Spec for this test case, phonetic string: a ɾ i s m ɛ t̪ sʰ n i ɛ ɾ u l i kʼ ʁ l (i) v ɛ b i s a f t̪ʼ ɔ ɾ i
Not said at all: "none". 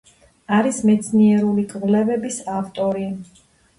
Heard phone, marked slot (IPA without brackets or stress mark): ɛ